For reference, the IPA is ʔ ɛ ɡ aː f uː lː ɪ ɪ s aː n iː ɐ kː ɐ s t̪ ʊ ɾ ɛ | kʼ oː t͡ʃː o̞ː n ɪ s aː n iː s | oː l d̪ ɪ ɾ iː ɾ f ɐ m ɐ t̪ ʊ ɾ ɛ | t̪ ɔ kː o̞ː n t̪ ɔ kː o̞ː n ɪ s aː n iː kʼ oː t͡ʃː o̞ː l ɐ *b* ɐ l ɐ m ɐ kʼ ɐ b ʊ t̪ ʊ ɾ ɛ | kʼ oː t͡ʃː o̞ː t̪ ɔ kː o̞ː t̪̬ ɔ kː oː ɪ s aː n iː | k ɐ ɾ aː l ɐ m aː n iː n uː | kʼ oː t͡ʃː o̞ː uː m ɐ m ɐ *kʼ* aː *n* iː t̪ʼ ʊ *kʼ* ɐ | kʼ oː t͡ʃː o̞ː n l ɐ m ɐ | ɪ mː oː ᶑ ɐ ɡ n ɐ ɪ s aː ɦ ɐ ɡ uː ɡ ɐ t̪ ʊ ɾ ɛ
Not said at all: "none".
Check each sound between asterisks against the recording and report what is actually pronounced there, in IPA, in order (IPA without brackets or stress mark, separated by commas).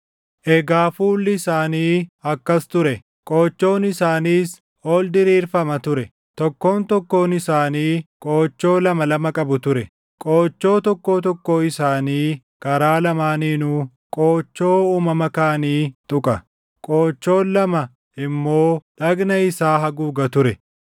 m, k, n, kʼ